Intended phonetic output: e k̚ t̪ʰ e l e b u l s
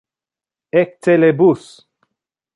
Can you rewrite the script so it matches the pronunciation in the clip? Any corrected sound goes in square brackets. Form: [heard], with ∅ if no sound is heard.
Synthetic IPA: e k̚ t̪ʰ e l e b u [∅] s